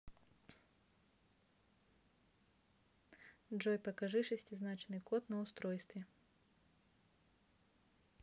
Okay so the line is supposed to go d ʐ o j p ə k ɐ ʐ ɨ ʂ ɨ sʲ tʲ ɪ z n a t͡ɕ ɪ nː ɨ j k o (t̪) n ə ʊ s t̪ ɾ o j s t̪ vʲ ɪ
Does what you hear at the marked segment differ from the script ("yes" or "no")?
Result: no